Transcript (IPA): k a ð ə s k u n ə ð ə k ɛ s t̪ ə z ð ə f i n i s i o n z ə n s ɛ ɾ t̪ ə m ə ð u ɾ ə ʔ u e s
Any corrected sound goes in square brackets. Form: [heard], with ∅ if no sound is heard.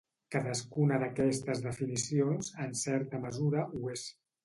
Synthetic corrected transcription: k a ð ə s k u n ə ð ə k ɛ s t̪ ə z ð ə f i n i s i o n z ə n s ɛ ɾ t̪ ə m ə [z] u ɾ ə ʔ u e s